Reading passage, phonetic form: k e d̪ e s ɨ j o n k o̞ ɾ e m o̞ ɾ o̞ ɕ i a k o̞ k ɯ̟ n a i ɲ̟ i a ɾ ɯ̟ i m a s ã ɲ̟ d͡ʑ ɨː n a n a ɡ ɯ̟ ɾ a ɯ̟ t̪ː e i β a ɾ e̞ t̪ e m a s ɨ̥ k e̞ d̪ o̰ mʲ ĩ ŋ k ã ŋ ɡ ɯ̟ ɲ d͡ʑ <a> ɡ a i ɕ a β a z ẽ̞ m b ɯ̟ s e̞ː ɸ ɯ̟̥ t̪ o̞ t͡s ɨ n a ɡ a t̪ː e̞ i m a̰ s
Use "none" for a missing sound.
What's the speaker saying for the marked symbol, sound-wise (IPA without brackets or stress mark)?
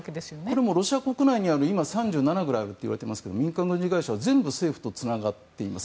i